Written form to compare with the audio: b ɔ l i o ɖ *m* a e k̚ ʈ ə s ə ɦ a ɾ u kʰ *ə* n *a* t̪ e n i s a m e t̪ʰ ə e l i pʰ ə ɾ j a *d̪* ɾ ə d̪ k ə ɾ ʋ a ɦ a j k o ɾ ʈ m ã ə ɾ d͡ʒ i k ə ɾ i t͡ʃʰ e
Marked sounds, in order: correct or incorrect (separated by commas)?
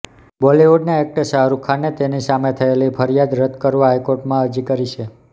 incorrect, incorrect, incorrect, correct